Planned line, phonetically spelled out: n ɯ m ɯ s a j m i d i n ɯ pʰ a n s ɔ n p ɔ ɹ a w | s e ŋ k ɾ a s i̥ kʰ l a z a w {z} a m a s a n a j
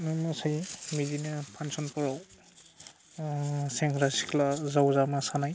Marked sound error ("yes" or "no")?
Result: no